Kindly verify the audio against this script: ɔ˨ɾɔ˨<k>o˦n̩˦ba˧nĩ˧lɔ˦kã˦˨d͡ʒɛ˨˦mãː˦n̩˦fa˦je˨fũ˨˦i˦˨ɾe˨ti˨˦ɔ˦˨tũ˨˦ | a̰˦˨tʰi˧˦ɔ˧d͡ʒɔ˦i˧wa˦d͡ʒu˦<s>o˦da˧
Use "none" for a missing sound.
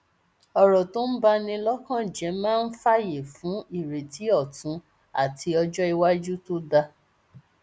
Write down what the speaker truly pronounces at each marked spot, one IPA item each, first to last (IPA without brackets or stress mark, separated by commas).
t, t